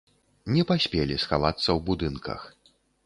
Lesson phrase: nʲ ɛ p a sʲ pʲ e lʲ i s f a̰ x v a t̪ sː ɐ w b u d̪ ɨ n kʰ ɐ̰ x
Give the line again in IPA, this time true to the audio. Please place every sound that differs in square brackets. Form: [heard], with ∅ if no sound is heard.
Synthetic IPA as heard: nʲ ɛ p a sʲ pʲ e lʲ i s [x] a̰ [∅] v a t̪ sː ɐ w b u d̪ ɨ n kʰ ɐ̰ x